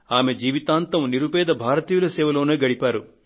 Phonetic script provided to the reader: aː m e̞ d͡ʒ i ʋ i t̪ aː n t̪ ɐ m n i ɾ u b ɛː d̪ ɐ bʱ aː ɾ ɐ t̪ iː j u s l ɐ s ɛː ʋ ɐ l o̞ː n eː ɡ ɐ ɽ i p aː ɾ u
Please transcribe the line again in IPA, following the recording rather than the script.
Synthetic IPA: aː m e̞ d͡ʒ iː ʋ i t̪ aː n t̪ ɐ m n i ɾ u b ɛː d̪ ɐ bʱ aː ɾ ɐ t̪ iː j u l ɐ s ɛː ʋ ɐ l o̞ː n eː ɡ ɐ ɽ i p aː ɾ u